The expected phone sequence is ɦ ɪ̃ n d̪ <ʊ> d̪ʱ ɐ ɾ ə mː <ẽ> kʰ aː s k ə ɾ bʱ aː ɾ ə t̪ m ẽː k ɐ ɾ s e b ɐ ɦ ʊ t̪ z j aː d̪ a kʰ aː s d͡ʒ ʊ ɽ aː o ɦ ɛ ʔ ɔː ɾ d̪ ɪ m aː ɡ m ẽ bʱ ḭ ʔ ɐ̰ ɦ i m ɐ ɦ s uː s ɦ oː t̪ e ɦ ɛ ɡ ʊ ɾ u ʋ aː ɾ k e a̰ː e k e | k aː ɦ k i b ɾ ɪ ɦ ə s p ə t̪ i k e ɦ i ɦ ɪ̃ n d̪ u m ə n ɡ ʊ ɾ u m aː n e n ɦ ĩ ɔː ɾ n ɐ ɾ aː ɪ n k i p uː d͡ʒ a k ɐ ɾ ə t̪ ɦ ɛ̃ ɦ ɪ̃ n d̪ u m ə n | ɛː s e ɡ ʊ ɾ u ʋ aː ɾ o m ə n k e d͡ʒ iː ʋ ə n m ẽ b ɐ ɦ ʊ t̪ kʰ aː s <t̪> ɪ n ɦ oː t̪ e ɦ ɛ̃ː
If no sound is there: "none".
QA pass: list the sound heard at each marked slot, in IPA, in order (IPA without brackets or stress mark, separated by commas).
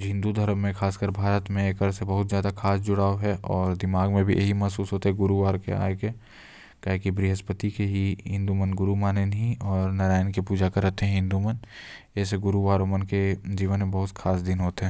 u, ẽ, d̪